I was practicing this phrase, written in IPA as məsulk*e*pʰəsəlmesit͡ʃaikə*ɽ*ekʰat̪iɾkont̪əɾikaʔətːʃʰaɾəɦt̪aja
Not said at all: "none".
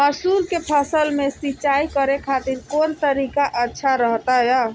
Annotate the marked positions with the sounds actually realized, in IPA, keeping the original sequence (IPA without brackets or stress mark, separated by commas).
e, ɾ